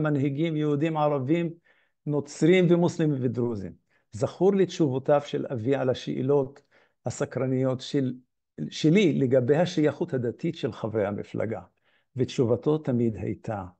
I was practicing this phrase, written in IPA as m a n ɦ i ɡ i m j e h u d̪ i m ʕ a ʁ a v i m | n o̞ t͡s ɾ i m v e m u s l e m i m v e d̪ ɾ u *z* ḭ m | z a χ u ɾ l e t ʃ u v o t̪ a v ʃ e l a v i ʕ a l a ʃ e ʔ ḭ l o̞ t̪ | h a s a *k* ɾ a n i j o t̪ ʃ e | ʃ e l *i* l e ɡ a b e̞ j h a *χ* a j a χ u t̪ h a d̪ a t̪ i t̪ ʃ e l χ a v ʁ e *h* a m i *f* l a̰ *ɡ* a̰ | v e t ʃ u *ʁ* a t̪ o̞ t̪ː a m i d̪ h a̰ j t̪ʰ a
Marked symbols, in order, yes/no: yes, yes, yes, no, yes, yes, yes, no

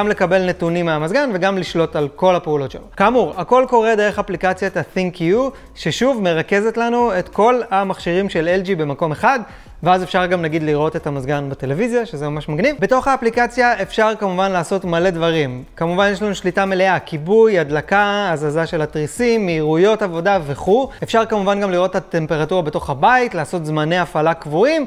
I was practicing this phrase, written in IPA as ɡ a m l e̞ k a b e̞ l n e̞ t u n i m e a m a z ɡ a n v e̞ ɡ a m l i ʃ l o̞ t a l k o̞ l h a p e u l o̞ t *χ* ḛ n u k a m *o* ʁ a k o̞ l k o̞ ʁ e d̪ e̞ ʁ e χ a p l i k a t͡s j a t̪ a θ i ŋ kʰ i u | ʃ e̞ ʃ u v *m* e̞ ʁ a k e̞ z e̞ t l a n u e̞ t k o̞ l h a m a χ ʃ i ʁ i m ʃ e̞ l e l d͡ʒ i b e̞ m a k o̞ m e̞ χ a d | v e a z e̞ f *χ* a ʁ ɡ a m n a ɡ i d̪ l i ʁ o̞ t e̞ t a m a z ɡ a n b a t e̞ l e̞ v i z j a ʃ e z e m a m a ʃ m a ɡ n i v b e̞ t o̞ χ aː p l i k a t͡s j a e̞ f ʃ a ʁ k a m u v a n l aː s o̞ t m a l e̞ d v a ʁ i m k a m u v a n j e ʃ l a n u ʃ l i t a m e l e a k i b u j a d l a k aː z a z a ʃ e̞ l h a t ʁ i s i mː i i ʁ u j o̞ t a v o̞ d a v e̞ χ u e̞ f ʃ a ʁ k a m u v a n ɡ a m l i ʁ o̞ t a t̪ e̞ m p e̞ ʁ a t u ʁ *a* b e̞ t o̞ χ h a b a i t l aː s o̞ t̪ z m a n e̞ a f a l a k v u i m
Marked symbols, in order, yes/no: no, no, yes, no, yes

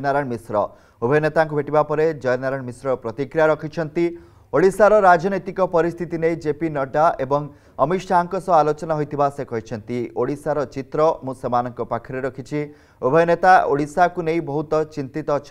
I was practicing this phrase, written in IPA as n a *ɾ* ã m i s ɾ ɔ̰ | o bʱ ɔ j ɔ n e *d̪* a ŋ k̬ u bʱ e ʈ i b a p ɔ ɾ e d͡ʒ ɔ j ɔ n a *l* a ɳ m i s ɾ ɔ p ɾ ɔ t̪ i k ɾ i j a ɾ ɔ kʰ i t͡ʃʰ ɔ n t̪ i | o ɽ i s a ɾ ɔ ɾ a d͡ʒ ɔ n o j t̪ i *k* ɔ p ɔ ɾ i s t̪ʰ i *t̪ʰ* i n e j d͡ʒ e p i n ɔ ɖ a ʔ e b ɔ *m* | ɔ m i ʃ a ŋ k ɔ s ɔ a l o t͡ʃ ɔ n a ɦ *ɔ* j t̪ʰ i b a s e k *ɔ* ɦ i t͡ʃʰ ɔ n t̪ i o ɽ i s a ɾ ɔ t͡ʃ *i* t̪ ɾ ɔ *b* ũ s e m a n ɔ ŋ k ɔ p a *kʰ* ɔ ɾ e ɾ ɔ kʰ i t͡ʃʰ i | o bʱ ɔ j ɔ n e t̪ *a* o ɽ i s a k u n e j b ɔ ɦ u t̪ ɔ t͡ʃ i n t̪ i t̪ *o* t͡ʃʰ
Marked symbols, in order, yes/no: yes, no, no, yes, no, no, no, yes, yes, no, yes, yes, no

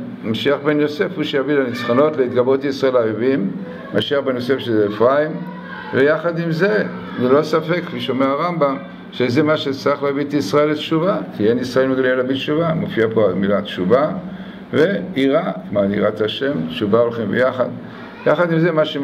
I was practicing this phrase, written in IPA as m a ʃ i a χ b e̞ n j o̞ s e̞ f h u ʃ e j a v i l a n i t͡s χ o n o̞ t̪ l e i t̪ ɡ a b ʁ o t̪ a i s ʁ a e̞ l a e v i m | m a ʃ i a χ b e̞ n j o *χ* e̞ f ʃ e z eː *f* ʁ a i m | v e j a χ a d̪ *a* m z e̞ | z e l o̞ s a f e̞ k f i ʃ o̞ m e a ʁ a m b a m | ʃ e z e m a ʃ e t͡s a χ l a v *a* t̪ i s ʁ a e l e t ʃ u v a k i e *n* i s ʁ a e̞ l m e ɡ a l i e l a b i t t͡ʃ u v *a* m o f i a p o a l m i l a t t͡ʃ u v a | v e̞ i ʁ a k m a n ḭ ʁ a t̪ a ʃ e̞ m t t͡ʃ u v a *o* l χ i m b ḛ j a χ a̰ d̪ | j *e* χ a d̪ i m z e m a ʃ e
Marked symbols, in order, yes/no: no, yes, no, no, yes, yes, yes, no

